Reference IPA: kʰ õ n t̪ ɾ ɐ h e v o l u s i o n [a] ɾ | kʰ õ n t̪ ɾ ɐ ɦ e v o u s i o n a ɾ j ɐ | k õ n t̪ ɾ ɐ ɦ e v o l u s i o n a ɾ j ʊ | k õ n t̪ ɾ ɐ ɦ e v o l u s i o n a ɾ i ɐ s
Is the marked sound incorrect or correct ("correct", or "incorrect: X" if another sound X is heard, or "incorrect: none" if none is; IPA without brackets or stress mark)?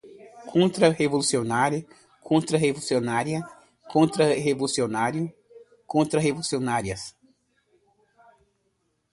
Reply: correct